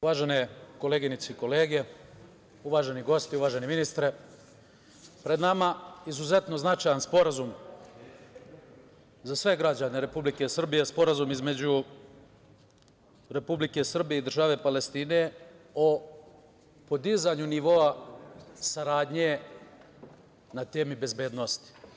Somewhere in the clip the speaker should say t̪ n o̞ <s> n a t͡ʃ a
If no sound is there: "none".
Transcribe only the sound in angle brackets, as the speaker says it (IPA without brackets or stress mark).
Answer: z